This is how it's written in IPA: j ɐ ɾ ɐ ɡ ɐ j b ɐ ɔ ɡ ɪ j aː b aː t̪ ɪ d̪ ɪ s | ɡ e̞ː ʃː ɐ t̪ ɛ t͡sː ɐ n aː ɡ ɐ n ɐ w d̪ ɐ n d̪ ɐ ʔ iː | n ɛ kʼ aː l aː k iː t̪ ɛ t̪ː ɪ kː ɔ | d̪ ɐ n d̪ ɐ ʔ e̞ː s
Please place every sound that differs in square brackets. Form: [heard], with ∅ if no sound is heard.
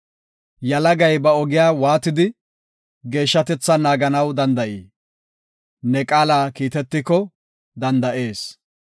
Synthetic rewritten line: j ɐ [l] ɐ ɡ ɐ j b ɐ ɔ ɡ ɪ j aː [w] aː t̪ ɪ d̪ ɪ [∅] | ɡ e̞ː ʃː ɐ t̪ ɛ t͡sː ɐ n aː ɡ ɐ n ɐ w d̪ ɐ n d̪ ɐ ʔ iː | n ɛ kʼ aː l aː k iː t̪ ɛ t̪ː ɪ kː ɔ | d̪ ɐ n d̪ ɐ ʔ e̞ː s